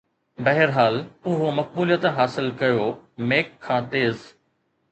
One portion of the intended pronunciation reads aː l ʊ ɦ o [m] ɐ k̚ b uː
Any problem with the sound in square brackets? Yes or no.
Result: no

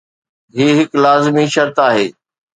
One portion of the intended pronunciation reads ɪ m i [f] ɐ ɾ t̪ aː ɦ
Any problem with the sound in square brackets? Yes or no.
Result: yes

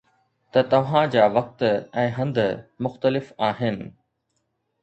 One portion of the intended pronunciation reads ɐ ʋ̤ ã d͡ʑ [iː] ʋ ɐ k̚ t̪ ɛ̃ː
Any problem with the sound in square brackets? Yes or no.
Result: yes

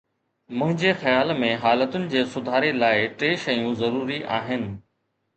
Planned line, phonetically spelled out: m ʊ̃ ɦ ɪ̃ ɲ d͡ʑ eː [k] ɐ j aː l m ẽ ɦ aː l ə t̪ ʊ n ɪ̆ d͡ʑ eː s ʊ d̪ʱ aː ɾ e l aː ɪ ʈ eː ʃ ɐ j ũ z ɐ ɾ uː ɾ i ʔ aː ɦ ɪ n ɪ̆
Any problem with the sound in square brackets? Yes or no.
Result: yes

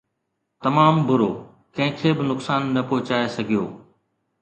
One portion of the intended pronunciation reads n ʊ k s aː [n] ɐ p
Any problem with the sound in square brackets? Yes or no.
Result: yes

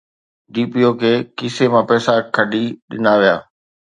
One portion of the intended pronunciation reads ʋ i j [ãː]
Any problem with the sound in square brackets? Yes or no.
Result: yes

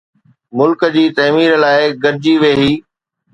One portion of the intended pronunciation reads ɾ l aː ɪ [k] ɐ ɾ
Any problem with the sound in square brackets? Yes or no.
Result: yes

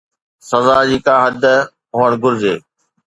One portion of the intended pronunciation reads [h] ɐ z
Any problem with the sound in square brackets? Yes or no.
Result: yes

